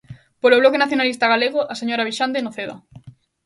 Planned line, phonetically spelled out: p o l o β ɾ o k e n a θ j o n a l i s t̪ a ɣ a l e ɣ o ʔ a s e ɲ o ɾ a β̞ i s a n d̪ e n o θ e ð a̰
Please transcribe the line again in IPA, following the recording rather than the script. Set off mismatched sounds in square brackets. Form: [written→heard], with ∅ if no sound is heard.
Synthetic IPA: p o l o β [ɾ→l] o k e n a θ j o n a l i s t̪ a ɣ a l e ɣ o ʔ a s e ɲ o ɾ a β̞ i [s→ʃ] a n d̪ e n o θ e ð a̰